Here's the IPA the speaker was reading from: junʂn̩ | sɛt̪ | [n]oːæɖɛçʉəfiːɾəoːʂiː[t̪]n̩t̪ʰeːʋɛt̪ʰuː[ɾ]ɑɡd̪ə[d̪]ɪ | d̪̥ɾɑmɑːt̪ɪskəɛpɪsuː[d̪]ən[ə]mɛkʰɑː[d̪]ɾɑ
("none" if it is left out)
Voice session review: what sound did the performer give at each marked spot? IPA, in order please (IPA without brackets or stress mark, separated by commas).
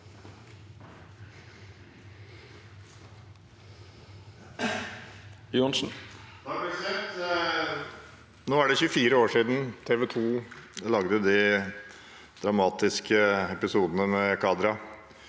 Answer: n, d̪, l, d̪, d̪, ə, d̪